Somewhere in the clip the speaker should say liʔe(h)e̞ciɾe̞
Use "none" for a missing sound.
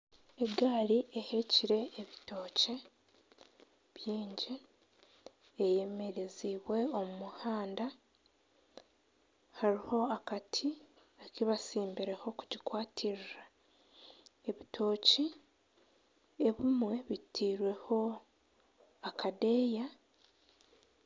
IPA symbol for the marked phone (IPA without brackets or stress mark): h